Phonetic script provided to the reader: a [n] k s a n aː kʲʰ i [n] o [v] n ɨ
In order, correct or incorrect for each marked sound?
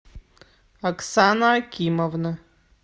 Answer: incorrect: none, incorrect: m, correct

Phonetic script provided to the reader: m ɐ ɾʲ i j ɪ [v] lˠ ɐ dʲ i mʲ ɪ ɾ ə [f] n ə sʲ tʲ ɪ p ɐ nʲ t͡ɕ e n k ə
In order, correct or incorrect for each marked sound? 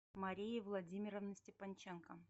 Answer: correct, incorrect: v

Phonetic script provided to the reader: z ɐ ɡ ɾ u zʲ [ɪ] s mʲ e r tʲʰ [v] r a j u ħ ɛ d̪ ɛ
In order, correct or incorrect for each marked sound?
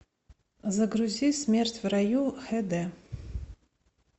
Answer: incorrect: i, correct

